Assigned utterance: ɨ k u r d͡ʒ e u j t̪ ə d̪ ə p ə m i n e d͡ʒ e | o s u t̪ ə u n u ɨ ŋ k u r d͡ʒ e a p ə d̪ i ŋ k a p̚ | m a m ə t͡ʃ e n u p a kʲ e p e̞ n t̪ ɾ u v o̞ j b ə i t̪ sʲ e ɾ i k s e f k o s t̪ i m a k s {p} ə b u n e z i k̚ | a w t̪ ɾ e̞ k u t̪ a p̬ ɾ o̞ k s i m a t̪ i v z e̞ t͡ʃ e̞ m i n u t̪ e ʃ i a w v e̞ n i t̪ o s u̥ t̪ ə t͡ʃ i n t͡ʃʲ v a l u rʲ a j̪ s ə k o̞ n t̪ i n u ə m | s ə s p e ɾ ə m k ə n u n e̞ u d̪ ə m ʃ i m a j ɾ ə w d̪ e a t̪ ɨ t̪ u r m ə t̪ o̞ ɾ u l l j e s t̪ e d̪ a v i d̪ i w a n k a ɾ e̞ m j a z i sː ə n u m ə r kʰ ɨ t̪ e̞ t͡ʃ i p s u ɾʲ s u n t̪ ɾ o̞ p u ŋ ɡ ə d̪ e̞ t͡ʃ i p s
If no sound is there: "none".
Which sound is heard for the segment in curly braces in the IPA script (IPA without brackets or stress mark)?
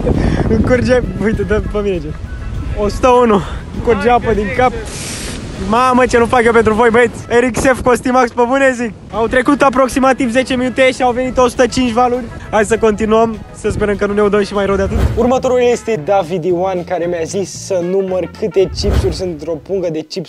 p